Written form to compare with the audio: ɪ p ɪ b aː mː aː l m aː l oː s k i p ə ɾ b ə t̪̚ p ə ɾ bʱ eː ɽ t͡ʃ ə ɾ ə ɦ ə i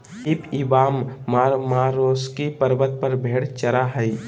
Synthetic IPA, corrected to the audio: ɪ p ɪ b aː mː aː ɾ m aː ɾ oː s k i p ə ɾ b ə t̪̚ p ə ɾ bʱ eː ɽ t͡ʃ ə ɾ a ɦ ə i